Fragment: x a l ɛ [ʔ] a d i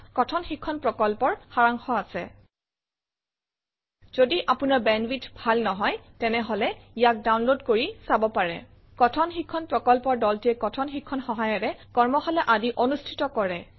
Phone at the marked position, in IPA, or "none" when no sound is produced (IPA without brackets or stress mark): ʔ